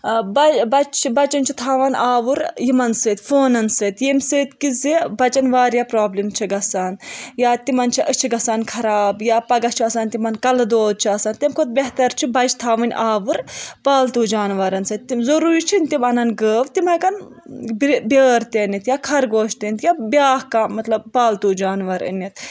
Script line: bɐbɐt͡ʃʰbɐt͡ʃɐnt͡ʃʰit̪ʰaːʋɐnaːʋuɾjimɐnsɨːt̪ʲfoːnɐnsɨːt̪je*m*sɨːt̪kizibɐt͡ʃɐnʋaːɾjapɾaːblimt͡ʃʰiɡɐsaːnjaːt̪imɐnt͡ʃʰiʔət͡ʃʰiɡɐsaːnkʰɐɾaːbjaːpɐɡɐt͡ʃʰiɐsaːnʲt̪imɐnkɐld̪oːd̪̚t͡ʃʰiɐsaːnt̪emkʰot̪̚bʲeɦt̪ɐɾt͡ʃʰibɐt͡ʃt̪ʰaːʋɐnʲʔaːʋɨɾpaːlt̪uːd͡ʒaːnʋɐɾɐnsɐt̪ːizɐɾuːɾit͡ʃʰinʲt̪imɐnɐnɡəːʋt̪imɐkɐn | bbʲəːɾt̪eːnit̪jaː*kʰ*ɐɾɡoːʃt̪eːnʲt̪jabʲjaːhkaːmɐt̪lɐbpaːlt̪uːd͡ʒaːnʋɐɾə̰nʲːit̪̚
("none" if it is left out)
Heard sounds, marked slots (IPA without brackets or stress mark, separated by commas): m, kʰ